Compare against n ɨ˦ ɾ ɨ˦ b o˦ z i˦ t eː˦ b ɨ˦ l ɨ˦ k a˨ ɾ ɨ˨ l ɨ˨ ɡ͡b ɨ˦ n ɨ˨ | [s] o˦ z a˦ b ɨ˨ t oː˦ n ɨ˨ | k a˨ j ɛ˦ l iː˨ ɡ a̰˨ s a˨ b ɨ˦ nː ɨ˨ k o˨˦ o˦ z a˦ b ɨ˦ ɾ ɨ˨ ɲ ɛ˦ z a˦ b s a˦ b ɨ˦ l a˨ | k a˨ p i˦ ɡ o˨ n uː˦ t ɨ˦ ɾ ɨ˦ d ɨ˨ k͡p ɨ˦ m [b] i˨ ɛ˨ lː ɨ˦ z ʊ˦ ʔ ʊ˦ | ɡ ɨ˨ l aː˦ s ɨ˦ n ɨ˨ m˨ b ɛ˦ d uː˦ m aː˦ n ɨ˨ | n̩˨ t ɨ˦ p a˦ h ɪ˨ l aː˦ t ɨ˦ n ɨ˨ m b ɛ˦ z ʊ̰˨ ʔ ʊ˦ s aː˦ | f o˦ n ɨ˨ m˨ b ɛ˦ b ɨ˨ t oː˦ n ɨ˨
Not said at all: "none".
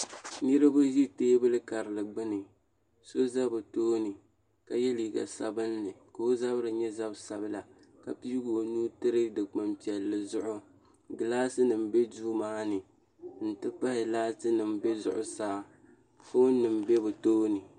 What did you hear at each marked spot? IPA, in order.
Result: s, p

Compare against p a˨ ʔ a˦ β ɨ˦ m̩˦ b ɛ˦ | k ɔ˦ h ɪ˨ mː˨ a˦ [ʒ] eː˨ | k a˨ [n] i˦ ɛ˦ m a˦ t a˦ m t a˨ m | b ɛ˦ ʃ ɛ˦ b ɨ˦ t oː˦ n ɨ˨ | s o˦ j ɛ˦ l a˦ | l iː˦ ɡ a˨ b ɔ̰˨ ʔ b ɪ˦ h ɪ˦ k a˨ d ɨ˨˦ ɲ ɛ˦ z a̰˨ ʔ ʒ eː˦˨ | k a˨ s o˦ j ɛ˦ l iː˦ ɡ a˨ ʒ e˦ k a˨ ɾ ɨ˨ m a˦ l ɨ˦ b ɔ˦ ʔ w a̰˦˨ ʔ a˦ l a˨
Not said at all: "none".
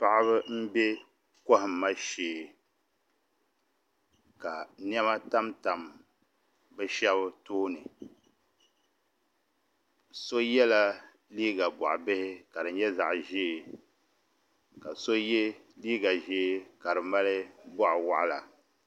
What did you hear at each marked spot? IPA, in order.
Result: ʃ, n

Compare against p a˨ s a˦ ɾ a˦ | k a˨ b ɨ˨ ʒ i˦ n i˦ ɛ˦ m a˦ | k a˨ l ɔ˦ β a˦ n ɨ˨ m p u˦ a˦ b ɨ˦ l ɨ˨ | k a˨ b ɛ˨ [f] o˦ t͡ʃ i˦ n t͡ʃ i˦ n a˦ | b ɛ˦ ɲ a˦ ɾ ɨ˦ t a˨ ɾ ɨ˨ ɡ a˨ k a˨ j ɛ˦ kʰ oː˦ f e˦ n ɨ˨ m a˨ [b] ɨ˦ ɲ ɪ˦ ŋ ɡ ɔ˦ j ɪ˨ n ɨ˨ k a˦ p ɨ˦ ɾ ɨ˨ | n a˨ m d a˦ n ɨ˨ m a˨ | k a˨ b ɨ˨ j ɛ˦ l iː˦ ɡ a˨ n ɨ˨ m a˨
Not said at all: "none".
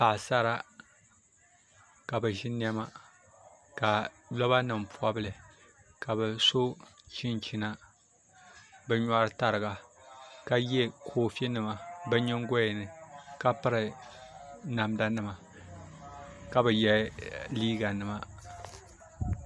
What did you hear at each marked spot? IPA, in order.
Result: s, b

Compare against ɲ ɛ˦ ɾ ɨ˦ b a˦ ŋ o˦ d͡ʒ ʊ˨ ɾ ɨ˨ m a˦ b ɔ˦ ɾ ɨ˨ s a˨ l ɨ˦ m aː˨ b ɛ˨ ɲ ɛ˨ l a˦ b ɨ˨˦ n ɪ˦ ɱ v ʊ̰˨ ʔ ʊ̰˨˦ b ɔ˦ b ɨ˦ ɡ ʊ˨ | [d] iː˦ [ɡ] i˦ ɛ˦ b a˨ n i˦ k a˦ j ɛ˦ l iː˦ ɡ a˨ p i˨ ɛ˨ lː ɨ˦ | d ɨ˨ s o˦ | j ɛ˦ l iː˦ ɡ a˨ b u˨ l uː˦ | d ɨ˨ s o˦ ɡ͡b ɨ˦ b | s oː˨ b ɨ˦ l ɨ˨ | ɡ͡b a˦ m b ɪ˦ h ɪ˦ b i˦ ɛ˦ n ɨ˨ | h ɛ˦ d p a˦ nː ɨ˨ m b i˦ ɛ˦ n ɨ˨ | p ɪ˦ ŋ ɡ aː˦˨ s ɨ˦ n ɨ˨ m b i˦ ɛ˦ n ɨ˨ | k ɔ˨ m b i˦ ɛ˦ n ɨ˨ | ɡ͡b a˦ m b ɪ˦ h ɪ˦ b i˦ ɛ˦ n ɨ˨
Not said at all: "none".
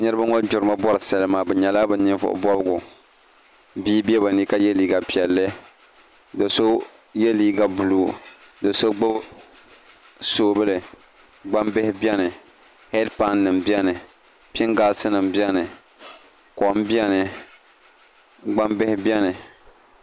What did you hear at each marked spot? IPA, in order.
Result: b, b

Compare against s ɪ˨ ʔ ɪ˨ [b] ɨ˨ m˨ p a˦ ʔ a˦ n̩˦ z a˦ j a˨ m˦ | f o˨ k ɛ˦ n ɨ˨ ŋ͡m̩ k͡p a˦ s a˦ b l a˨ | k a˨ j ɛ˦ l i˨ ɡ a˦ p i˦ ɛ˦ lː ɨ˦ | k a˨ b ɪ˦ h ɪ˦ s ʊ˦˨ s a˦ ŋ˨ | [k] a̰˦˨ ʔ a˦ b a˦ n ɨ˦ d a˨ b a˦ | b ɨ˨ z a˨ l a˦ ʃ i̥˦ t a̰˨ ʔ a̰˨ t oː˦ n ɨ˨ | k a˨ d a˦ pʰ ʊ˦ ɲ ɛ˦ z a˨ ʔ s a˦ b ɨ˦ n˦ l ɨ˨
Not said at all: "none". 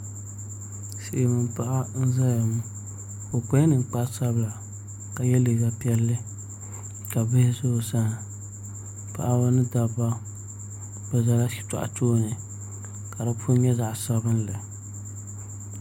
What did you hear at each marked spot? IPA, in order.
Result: m, p

